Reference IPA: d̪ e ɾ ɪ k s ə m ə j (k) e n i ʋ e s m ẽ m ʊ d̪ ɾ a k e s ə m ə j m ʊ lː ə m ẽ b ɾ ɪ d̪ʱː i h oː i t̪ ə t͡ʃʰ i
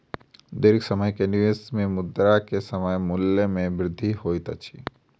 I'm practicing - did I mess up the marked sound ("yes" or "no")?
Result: no